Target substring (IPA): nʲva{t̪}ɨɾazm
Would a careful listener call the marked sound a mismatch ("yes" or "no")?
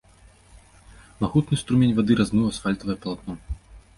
yes